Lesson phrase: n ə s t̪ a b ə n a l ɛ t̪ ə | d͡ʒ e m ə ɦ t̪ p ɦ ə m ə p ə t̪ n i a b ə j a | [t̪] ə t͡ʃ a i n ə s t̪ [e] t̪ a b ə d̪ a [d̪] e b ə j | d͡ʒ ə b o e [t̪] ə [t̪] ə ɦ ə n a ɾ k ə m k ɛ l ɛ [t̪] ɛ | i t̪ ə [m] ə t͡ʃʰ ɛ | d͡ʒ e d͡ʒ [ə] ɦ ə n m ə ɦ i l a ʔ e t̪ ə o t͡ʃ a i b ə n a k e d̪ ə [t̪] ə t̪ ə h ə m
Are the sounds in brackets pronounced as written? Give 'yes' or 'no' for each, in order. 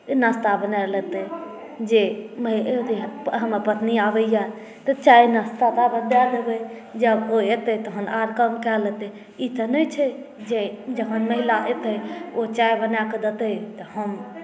yes, no, yes, yes, yes, yes, no, yes, yes

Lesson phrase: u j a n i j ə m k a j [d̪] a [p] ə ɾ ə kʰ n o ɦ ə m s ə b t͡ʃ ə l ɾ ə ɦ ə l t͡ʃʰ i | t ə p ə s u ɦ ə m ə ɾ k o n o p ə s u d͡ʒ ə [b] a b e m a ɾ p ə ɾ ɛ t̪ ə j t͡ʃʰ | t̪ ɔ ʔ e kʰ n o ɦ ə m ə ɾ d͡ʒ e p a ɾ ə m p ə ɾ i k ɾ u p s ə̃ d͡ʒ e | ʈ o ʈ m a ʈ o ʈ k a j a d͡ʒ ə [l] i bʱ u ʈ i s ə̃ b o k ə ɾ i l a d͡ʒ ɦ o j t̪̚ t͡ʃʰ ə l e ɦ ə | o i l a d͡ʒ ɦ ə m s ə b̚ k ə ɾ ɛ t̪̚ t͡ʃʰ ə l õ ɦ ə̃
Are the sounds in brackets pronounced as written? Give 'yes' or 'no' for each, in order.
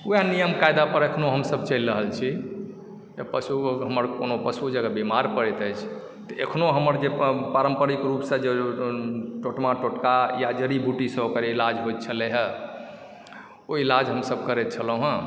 yes, yes, no, no

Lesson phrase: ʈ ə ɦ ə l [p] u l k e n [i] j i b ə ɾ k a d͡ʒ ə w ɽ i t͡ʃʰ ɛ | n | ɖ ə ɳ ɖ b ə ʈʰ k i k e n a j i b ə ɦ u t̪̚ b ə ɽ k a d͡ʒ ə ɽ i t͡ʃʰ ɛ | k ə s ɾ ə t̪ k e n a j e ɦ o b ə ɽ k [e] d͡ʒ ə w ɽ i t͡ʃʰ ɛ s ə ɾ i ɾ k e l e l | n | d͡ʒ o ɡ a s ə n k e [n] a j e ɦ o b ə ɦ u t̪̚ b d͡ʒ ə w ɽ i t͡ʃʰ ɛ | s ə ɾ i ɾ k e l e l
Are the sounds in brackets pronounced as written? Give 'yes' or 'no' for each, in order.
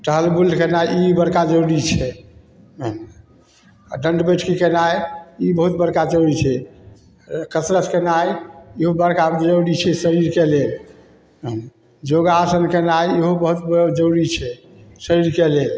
no, no, no, yes

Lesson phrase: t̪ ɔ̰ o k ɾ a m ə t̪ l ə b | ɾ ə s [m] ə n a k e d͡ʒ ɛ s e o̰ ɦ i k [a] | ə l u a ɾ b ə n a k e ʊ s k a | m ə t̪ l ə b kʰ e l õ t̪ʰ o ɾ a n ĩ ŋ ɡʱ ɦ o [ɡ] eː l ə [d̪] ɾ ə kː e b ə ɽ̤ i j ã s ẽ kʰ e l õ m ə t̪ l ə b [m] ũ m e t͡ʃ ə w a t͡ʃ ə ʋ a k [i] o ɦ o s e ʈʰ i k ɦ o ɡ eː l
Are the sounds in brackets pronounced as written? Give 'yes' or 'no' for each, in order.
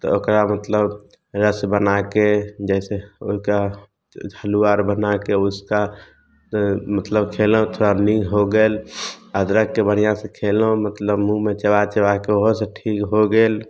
no, yes, yes, yes, yes, no

